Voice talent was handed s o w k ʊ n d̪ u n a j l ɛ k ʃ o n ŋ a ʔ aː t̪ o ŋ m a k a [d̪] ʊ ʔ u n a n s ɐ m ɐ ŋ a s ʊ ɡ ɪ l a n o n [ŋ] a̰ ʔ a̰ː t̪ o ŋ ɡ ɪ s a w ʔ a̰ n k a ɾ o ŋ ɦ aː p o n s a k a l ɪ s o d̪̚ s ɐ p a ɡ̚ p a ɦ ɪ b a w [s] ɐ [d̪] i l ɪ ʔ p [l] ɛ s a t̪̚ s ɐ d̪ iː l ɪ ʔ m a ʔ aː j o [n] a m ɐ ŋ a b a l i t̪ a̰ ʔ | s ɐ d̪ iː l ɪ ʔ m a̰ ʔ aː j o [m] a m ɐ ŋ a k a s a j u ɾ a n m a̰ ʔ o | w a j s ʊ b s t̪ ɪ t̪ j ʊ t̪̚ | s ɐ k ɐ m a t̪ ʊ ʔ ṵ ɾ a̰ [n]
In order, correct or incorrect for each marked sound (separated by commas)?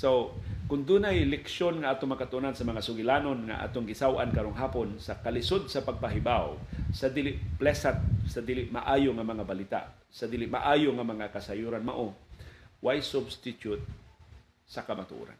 incorrect, correct, correct, correct, correct, incorrect, incorrect, correct